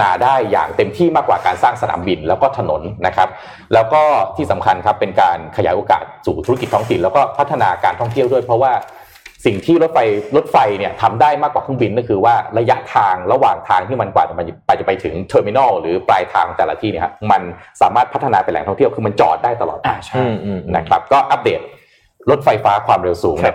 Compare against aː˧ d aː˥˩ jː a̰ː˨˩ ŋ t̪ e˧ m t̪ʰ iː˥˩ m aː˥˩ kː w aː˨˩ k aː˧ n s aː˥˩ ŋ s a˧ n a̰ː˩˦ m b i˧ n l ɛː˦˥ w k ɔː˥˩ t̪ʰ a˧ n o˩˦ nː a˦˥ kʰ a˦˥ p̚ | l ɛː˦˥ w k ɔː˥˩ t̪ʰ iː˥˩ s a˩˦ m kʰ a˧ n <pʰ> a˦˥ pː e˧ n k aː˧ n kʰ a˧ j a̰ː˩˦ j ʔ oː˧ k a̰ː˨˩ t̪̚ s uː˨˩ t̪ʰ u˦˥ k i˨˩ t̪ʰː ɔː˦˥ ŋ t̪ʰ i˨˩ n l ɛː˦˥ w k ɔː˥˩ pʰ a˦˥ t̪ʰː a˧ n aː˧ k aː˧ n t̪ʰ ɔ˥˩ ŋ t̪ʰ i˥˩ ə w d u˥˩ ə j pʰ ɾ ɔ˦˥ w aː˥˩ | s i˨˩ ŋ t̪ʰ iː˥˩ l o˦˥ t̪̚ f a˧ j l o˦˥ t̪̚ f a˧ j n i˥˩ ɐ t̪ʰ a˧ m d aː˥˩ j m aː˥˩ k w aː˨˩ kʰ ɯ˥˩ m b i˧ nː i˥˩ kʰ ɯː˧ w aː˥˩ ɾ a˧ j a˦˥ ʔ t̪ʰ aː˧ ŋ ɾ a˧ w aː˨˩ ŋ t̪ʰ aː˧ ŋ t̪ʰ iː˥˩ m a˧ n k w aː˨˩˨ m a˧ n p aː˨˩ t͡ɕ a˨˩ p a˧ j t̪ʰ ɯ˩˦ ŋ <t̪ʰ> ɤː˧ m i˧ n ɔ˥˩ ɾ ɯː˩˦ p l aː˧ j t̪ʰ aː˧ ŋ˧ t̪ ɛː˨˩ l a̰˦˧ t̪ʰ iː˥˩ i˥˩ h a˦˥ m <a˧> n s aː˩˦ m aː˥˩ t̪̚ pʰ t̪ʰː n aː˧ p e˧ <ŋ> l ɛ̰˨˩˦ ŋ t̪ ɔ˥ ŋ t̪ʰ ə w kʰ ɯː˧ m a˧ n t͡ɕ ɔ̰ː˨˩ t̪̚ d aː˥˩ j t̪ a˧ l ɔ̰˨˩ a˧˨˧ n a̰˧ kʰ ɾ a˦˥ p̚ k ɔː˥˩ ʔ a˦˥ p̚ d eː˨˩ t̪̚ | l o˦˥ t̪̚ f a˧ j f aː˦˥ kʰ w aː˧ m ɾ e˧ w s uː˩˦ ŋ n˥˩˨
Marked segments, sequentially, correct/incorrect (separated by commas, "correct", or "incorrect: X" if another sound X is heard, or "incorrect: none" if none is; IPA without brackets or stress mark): incorrect: kʰ, correct, correct, incorrect: n